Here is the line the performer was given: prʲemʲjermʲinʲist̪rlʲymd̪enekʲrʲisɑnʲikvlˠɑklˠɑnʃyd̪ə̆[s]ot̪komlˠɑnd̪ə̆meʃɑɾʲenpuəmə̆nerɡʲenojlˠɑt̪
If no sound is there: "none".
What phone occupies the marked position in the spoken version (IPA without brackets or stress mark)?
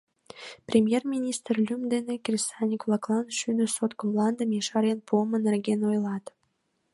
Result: s